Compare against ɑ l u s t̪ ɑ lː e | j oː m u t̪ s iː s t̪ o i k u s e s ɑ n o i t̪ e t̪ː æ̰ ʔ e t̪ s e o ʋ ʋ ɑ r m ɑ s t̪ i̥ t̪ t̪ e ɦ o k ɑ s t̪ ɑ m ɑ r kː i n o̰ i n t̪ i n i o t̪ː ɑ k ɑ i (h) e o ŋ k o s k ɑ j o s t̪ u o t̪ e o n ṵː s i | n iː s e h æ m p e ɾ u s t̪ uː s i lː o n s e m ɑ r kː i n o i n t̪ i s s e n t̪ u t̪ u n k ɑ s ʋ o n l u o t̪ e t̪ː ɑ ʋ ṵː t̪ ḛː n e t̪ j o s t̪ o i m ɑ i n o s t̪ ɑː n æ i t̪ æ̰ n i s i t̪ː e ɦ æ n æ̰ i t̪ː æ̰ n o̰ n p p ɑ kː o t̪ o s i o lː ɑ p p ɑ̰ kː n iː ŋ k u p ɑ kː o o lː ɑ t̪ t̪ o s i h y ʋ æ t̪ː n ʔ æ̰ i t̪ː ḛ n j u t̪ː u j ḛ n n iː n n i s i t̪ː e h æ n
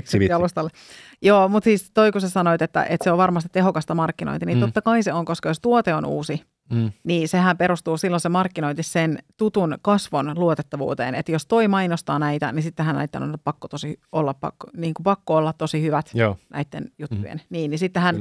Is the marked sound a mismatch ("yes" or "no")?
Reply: yes